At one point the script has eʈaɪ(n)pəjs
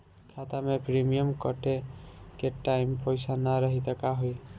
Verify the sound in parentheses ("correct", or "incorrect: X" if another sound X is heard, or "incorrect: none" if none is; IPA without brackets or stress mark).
incorrect: m